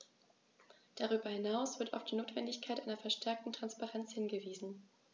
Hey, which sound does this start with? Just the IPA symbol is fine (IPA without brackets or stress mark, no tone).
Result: d̥